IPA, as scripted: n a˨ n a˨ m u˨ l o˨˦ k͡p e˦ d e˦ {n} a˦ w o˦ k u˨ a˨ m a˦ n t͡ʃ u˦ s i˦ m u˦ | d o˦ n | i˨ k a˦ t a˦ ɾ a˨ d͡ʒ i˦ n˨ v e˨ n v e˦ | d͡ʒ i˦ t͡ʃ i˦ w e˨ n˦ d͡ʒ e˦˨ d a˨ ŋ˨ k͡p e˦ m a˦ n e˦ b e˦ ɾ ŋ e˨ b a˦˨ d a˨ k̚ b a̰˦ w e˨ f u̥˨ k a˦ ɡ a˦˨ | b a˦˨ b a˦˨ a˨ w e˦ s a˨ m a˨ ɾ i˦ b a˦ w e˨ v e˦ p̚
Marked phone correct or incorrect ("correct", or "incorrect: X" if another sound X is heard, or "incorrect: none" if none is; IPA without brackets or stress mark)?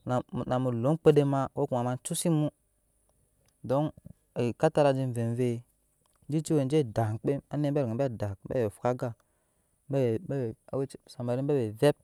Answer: incorrect: m